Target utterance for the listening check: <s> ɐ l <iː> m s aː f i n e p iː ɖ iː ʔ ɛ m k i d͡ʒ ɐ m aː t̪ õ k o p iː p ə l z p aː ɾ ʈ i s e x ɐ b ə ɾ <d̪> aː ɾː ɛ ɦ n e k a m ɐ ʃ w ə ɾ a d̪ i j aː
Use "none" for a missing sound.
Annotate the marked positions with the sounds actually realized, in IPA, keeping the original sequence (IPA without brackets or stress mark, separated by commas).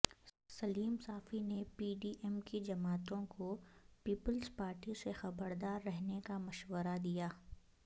s, iː, d̪